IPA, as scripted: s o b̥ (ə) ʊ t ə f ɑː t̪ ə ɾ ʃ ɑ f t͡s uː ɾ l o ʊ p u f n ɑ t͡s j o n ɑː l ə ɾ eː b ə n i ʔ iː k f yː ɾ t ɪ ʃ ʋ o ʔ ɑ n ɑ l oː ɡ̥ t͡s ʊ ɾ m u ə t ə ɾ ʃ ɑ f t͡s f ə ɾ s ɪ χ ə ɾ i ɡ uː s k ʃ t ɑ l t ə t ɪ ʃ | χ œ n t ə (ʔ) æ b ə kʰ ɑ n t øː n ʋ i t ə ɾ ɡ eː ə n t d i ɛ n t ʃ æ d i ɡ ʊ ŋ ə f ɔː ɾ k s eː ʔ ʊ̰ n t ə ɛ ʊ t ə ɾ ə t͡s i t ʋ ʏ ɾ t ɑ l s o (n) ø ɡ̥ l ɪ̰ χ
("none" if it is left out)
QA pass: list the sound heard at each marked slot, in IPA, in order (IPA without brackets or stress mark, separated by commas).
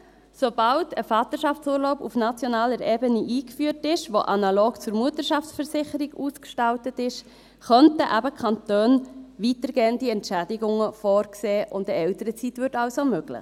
ɑ, ʔ, m